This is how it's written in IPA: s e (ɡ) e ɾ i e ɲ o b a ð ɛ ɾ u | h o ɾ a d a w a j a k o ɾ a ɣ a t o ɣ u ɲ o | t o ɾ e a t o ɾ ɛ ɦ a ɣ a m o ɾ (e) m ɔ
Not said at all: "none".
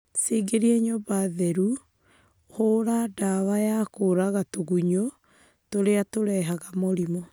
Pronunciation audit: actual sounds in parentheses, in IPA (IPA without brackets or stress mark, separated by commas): ɡ, i